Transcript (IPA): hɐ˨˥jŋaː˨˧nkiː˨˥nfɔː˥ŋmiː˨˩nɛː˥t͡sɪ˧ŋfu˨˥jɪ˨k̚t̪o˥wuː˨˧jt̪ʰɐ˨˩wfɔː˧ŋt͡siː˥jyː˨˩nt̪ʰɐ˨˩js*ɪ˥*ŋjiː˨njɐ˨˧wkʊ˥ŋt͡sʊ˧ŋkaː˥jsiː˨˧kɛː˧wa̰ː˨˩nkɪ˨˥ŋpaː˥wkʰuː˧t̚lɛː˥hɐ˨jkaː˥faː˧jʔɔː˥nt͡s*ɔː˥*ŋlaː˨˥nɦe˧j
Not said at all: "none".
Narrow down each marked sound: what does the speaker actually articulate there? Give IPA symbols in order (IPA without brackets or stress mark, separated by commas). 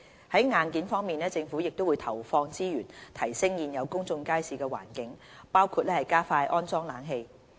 ɪ˥, ɔː˥